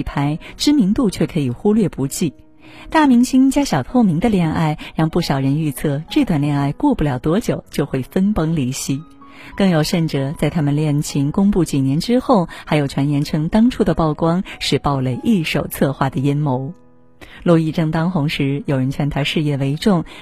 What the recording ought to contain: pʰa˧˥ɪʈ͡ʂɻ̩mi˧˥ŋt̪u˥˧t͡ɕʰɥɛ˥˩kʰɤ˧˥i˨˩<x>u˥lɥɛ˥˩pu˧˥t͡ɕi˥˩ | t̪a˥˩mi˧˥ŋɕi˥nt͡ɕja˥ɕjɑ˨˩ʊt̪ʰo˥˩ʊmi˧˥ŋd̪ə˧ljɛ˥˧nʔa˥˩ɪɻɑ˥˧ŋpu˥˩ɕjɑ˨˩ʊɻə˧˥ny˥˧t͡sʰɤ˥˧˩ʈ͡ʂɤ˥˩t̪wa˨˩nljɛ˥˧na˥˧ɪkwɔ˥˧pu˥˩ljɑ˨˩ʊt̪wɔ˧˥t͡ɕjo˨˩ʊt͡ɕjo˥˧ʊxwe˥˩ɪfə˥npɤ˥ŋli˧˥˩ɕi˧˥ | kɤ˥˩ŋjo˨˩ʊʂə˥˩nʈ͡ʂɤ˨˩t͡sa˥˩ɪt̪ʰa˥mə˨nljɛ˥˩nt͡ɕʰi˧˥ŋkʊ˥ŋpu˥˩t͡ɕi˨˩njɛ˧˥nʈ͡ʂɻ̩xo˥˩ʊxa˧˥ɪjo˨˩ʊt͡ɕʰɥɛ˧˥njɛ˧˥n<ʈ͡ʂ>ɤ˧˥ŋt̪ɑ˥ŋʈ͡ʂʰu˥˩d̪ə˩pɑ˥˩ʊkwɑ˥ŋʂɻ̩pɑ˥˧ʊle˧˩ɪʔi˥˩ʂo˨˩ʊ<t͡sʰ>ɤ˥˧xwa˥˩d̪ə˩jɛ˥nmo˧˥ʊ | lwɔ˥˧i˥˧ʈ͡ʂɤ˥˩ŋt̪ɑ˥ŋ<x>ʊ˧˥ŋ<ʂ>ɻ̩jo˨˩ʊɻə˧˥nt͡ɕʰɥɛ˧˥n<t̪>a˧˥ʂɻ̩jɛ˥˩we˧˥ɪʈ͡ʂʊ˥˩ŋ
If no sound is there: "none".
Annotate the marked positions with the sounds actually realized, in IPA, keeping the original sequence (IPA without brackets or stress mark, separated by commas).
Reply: x, ʈ͡ʂʰ, t͡sʰ, x, ʂ, t̪ʰ